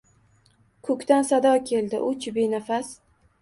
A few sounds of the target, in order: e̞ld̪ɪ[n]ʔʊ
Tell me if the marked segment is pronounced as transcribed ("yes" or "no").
no